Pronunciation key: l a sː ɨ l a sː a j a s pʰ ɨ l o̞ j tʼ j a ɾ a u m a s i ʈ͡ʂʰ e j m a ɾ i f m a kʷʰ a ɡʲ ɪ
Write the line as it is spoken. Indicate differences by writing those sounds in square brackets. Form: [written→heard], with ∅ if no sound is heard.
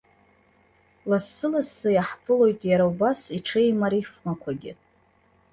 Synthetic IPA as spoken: l a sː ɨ l a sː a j a [s→ħ] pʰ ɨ l o̞ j tʼ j a ɾ a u [m→b] a s i ʈ͡ʂʰ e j m a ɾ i f m a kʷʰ a ɡʲ ɪ